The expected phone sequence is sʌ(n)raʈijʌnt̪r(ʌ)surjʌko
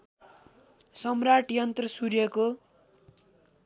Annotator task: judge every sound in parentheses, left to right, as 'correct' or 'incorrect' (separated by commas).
incorrect, correct